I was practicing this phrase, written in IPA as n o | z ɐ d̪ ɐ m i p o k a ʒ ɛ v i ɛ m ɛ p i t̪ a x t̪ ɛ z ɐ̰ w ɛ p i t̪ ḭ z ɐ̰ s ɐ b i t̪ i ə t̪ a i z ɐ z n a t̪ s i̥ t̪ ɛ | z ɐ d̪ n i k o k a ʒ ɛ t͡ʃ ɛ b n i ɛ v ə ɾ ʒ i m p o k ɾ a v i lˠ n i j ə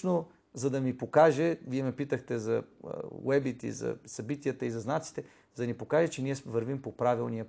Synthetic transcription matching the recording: n o | z ɐ d̪ ɐ m i p o k a ʒ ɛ v i ɛ m ɛ p i t̪ ə x t̪ ɛ z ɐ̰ w ɛ b i t̪ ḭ z ɐ̰ s ɐ b i t̪ i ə t̪ ə i z ɐ z n a t̪ s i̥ t̪ ɛ | z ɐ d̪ n i p o k a ʒ ɛ t͡ʃ ɛ n i ɛ v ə ɾ v i m p o p ɾ a v i lˠ n i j ə